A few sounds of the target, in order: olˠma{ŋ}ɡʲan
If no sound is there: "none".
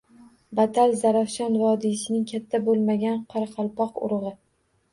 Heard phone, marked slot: none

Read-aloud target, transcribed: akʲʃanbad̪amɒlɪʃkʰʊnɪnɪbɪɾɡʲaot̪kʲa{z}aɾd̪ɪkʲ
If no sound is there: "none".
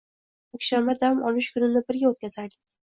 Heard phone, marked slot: z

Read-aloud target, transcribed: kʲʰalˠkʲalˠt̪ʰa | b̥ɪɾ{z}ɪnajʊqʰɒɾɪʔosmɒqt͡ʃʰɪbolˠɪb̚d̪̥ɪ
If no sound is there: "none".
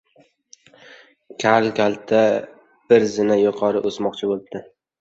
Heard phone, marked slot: z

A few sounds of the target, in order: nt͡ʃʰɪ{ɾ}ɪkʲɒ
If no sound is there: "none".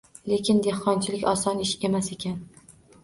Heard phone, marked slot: l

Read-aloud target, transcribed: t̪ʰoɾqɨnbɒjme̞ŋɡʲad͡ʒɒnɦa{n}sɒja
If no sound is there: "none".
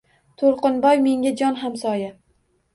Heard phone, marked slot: m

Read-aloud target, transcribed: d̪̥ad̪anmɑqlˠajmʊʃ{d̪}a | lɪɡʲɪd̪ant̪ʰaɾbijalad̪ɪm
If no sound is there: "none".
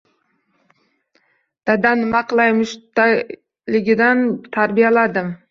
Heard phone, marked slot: t̪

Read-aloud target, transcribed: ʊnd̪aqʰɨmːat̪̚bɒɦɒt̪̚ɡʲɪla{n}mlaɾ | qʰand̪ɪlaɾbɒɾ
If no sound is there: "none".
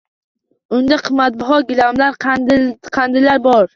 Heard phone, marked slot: none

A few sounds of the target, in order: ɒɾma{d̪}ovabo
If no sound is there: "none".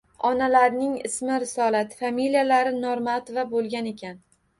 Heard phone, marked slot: t̪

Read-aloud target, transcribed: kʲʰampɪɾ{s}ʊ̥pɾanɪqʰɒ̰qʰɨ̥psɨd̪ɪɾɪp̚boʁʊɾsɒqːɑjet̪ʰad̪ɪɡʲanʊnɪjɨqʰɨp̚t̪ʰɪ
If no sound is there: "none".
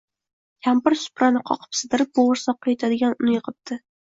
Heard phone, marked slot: s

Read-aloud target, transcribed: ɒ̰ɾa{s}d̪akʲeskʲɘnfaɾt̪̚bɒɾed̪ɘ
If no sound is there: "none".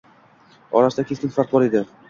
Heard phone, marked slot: s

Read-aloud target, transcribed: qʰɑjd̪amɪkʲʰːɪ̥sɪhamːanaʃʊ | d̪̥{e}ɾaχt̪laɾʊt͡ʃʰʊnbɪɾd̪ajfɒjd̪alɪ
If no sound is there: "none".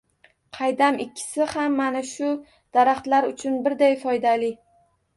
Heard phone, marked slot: a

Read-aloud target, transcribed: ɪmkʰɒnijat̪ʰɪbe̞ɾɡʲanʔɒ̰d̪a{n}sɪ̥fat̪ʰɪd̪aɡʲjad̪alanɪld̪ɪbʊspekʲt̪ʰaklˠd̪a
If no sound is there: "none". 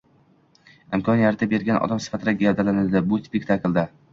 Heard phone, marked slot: m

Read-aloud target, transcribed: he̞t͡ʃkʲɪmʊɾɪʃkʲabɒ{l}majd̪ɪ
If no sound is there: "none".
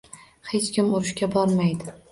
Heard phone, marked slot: ɾ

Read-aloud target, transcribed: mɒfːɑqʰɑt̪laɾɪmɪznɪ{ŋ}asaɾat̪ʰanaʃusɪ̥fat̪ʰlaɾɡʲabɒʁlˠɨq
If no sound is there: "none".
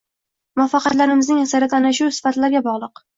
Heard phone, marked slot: ŋ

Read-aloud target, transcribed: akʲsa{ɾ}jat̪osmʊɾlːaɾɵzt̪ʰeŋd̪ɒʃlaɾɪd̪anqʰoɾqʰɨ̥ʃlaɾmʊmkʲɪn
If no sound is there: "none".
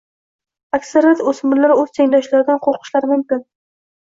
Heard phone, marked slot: ɾ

